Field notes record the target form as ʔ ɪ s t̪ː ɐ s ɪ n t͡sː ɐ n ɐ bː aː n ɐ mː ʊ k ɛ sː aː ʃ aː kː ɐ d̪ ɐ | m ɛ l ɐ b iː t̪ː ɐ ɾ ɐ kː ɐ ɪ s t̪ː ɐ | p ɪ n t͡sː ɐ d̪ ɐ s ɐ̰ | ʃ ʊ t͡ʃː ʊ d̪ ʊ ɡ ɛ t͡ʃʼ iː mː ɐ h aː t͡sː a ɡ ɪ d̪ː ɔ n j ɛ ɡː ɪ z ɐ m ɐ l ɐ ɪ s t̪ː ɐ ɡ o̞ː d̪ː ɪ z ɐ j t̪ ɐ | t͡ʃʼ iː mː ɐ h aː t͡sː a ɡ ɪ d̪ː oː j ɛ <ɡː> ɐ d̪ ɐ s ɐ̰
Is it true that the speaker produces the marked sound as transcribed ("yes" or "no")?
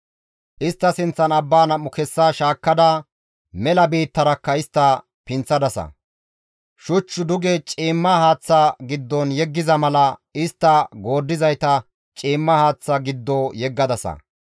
yes